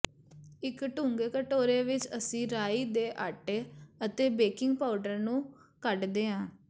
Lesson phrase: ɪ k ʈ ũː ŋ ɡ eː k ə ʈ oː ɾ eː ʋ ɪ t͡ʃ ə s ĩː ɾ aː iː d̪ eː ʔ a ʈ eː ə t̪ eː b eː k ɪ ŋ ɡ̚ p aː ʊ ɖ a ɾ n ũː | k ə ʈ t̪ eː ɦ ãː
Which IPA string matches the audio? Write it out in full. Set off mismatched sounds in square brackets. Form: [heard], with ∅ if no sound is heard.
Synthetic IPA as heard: ɪ k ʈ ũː ŋ ɡ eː k ə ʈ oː ɾ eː ʋ ɪ t͡ʃ ə s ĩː ɾ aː iː d̪ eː ʔ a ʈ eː ə t̪ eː b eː k ɪ ŋ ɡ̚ p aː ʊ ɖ [ə] ɾ n ũː | k ə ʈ [d̪] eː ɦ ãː